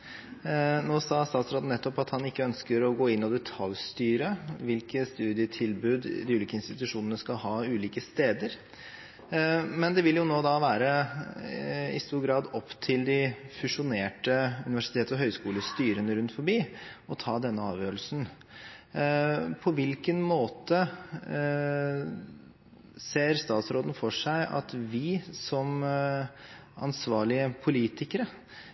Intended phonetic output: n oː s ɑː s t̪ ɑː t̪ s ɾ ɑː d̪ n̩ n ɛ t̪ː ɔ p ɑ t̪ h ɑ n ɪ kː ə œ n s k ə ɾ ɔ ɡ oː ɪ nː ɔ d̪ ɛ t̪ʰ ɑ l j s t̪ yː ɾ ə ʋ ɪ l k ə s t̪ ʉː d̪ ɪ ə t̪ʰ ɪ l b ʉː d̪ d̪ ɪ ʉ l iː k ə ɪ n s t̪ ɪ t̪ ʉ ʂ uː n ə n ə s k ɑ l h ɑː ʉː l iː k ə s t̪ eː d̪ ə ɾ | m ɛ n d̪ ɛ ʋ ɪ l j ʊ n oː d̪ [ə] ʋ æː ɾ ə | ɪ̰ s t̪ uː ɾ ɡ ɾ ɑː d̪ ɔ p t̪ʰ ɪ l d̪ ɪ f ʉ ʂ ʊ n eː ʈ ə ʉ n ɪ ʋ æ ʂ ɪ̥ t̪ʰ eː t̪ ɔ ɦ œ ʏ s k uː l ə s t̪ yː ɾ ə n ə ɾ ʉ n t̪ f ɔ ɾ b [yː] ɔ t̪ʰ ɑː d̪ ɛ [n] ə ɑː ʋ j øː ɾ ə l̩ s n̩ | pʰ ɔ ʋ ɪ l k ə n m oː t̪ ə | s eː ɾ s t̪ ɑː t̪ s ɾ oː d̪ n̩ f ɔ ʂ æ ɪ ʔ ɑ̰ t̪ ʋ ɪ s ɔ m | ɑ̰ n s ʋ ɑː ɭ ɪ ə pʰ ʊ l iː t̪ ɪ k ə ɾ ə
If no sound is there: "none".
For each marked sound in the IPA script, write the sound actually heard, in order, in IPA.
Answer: ɑ, iː, nː

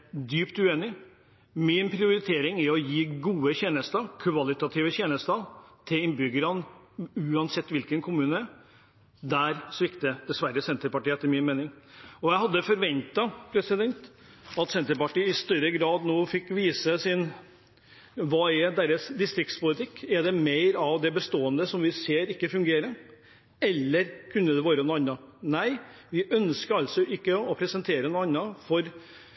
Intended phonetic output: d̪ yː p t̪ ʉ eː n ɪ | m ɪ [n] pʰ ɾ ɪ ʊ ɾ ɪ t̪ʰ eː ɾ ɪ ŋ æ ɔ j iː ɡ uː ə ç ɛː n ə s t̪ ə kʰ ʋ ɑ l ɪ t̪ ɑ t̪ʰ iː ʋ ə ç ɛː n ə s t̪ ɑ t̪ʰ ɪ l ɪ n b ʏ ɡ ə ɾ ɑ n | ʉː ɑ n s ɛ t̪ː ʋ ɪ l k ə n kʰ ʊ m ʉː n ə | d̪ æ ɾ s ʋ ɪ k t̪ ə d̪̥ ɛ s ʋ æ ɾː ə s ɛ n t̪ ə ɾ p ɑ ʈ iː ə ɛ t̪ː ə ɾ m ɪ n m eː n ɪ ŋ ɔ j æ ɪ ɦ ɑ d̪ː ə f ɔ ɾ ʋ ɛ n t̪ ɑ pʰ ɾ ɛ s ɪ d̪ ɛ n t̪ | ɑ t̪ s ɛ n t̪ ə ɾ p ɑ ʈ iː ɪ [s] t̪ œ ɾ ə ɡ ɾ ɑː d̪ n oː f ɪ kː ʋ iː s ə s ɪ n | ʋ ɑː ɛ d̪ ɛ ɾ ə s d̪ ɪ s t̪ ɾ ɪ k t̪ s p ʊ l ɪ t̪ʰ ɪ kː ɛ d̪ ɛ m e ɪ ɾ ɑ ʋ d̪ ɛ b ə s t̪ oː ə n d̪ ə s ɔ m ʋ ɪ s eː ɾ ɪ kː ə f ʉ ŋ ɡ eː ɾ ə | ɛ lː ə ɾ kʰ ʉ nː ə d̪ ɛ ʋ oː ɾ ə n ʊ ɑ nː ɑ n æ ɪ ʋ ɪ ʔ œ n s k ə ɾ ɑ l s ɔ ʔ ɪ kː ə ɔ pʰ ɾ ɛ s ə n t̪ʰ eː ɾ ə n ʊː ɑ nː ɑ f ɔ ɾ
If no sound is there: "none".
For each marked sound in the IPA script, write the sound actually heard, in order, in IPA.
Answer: n, s

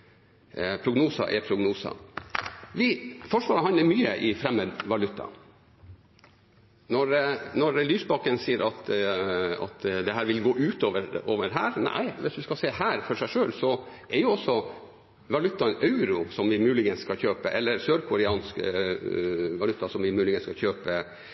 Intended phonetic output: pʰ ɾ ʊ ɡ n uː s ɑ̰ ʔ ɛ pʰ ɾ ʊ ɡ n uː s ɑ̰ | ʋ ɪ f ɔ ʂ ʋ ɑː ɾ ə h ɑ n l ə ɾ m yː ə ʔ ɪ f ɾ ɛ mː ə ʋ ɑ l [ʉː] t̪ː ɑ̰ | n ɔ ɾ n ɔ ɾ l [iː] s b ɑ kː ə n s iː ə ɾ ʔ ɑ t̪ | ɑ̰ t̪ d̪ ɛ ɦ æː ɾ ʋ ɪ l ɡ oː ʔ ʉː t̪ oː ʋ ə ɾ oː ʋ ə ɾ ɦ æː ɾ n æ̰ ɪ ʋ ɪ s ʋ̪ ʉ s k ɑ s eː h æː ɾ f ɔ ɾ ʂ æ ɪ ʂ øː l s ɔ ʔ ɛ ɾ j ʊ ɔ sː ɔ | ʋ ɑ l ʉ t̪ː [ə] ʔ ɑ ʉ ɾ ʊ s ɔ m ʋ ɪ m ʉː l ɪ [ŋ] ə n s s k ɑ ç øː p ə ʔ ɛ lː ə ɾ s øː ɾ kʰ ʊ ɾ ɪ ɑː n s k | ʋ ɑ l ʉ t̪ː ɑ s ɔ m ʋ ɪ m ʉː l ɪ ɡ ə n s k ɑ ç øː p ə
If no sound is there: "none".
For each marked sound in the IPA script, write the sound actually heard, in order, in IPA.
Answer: ʉ, yː, ɑ, ɡ

